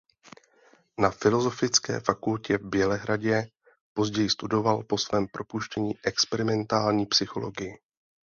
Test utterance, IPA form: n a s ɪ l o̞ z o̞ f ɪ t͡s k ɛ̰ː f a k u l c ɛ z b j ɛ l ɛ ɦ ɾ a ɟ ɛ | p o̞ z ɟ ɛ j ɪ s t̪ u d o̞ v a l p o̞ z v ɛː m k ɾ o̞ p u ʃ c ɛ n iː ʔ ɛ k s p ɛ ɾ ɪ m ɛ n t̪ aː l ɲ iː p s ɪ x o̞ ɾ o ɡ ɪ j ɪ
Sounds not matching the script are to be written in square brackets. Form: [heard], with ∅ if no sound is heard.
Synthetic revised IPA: n a [f] ɪ l o̞ z o̞ f ɪ t͡s k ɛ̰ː f a k u l c ɛ [v] b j ɛ l ɛ ɦ ɾ a ɟ ɛ | p o̞ z ɟ ɛ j ɪ s t̪ u d o̞ v a l p o̞ [s] v ɛː m [p] ɾ o̞ p u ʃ c ɛ [ɲ] iː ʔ ɛ k s p ɛ ɾ ɪ m ɛ n t̪ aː l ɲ iː p s ɪ x o̞ [l] o ɡ ɪ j ɪ

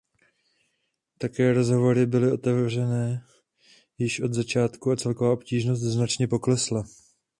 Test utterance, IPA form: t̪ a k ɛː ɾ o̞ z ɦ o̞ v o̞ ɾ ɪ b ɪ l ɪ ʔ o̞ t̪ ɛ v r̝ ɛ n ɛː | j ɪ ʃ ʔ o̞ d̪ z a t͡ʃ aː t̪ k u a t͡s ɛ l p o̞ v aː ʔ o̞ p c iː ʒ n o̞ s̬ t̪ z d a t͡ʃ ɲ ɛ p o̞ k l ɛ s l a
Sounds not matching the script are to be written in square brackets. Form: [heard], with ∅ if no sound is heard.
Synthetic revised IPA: t̪ a k ɛː ɾ o̞ z ɦ o̞ v o̞ ɾ ɪ b ɪ l ɪ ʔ o̞ t̪ ɛ v r̝ ɛ n ɛː | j ɪ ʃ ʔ o̞ d̪ z a t͡ʃ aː t̪ k u a t͡s ɛ l [k] o̞ v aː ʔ o̞ p c iː ʒ n o̞ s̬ t̪ z [n] a t͡ʃ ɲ ɛ p o̞ k l ɛ s l a

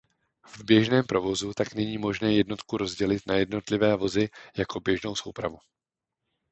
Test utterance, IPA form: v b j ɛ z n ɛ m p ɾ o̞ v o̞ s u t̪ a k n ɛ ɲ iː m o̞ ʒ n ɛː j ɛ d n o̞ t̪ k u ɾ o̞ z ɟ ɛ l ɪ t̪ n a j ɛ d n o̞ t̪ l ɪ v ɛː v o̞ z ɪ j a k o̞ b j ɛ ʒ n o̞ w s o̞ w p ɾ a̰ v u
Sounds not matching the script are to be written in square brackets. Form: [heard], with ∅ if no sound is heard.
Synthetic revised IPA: v b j ɛ [ʒ] n [ɛː] m p ɾ o̞ v o̞ [z] u t̪ a k n ɛ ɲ iː m o̞ ʒ n ɛː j ɛ d n o̞ t̪ k u ɾ o̞ z ɟ ɛ l ɪ t̪ n a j ɛ d n o̞ t̪ l ɪ v ɛː v o̞ z ɪ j a k o̞ b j ɛ ʒ n o̞ w s o̞ w p ɾ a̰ v u

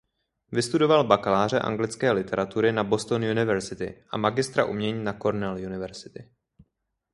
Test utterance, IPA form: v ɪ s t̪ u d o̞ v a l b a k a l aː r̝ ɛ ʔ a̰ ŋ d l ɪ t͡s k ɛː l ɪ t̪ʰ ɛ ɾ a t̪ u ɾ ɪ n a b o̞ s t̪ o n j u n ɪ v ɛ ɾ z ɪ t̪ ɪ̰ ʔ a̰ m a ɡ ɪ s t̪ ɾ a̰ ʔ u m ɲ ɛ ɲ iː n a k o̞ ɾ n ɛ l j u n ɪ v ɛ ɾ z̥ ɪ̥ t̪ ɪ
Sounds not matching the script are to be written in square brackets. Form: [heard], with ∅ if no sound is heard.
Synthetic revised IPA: v ɪ s t̪ u d o̞ v a l b a k a l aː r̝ ɛ ʔ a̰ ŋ [ɡ] l ɪ t͡s k ɛː l ɪ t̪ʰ ɛ ɾ a t̪ u ɾ ɪ n a b o̞ s t̪ o n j u n ɪ v ɛ ɾ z ɪ t̪ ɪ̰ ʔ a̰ m a ɡ ɪ s t̪ ɾ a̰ ʔ u m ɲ ɛ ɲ iː n a k o̞ ɾ n ɛ l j u n ɪ v ɛ ɾ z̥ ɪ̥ t̪ ɪ

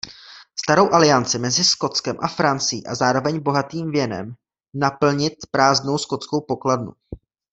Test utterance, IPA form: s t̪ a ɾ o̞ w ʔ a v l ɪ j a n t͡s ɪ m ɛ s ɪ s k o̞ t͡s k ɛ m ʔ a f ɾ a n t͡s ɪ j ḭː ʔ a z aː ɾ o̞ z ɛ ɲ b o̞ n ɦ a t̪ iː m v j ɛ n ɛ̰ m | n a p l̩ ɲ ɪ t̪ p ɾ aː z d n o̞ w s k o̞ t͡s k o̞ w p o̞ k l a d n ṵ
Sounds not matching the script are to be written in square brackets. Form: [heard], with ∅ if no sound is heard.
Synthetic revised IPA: s t̪ a ɾ o̞ w ʔ a [∅] l ɪ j a n t͡s ɪ m ɛ [z] ɪ s k o̞ t͡s k ɛ m ʔ a f ɾ a n t͡s ɪ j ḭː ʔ a z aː ɾ o̞ [v] ɛ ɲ b o̞ [∅] ɦ a t̪ iː m v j ɛ n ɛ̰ m | n a p l̩ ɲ ɪ t̪ p ɾ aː z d n o̞ w s k o̞ t͡s k o̞ w p o̞ k l a d n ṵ

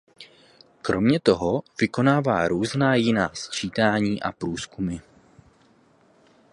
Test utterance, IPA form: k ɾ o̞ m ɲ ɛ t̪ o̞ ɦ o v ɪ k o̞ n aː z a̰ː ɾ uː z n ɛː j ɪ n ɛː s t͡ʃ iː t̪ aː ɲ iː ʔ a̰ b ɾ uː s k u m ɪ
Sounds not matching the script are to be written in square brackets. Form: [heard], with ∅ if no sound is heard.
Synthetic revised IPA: k ɾ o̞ m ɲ ɛ t̪ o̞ ɦ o v ɪ k o̞ n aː [v] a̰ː ɾ uː z n [aː] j ɪ n [aː] s t͡ʃ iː t̪ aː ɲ iː ʔ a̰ [p] ɾ uː s k u m ɪ

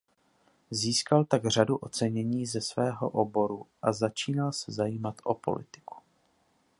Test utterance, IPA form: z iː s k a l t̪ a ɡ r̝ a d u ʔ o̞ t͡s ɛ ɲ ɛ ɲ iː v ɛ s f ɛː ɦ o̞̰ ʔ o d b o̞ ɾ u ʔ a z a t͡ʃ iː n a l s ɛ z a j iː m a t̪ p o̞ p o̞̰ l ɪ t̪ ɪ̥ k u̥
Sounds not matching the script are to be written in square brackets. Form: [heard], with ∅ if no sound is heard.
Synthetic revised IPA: z iː s k a l t̪ a ɡ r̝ a d u ʔ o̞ t͡s ɛ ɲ ɛ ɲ iː [z] ɛ s [v] ɛː ɦ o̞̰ ʔ o [∅] b o̞ ɾ u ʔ a z a t͡ʃ iː n a l s ɛ z a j iː m a t̪ [ʔ] o̞ p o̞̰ l ɪ t̪ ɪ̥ k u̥

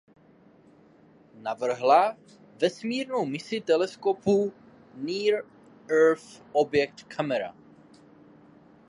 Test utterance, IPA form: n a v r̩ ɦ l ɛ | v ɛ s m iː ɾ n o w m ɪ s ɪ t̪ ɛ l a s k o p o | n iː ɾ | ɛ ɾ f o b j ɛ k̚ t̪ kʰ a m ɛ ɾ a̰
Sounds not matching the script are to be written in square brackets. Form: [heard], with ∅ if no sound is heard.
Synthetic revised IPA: n a v r̩ ɦ l [a] | v ɛ s m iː ɾ n o w m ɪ s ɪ t̪ ɛ l [ɛ] s k o p [u] | n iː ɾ | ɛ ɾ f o b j ɛ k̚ t̪ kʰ a m ɛ ɾ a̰

